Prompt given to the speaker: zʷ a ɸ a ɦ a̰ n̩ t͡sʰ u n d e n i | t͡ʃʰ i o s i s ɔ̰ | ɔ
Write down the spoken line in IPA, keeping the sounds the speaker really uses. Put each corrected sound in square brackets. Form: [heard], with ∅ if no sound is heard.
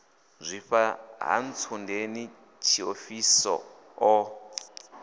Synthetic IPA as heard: zʷ [i] ɸ a ɦ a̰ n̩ t͡sʰ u n d e n i | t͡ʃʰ i o [f] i s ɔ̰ | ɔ

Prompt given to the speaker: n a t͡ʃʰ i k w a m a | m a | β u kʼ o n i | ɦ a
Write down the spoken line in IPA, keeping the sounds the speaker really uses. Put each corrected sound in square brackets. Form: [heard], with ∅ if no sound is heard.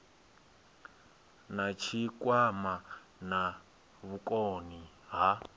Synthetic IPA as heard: n a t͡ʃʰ i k w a m a | [n] a | β u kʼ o n i | ɦ a

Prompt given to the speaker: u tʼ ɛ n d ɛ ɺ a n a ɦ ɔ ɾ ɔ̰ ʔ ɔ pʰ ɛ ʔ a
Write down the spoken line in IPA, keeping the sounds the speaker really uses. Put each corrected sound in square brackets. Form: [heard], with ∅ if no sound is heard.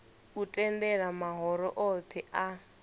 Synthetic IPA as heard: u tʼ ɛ n d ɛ ɺ a [m] a ɦ ɔ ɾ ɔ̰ ʔ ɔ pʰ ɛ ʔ a

